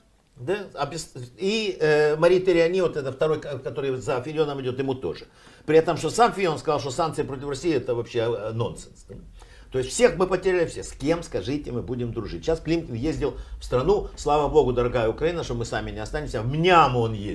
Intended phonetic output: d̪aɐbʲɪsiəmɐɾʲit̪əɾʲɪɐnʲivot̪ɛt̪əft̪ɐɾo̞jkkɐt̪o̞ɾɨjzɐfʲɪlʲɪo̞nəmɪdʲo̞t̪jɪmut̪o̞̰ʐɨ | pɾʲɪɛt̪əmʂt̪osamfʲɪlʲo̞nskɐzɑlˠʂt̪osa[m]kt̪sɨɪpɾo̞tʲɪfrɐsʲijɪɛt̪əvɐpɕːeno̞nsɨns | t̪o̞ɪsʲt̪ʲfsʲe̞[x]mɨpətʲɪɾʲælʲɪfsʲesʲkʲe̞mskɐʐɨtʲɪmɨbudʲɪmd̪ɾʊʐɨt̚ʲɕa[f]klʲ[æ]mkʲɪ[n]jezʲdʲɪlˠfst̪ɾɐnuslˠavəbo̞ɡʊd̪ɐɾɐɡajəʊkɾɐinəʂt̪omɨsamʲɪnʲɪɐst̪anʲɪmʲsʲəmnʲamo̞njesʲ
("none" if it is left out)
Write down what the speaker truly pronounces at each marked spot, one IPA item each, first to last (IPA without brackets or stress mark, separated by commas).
n, x, s, i, n